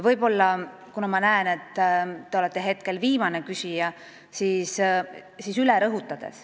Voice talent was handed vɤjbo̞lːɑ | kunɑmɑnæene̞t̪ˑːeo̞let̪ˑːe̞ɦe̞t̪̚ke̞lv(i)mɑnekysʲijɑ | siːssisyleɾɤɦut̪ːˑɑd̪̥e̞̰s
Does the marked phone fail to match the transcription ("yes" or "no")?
yes